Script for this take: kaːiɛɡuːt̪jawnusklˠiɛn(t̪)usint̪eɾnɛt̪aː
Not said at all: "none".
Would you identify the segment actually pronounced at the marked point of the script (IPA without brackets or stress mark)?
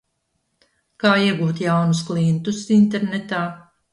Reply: t̪